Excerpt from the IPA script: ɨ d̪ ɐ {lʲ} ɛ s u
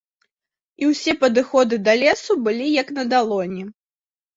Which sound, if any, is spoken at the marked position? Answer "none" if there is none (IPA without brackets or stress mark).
lʲ